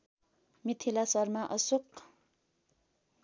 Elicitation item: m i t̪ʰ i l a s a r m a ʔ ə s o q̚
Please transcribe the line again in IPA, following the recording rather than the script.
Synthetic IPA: m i t̪ʰ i l a s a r m a ʔ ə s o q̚